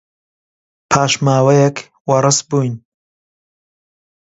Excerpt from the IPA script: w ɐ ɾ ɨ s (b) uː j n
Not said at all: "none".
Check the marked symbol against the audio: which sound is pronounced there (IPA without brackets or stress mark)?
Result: b